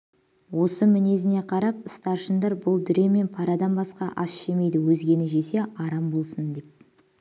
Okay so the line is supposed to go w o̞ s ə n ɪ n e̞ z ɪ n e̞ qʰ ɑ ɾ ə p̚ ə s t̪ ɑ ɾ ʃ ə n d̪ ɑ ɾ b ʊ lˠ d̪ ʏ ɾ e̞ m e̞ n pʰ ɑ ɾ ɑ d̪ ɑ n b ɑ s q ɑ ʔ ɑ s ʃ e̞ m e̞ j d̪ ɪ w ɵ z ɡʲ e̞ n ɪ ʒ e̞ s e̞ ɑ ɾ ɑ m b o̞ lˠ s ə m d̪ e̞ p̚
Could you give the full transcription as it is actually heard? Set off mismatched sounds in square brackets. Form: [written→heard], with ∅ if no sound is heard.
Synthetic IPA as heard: w o̞ s ə [n→m] ɪ n e̞ z ɪ n e̞ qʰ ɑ ɾ [ə→ɑ] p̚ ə s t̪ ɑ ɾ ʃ ə n d̪ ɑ ɾ b ʊ lˠ d̪ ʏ ɾ e̞ m e̞ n pʰ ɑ ɾ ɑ d̪ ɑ n b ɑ s q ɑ ʔ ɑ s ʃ e̞ m e̞ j d̪ ɪ w ɵ z ɡʲ e̞ n ɪ ʒ e̞ s e̞ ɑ ɾ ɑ m b o̞ lˠ s ə [m→n] d̪ e̞ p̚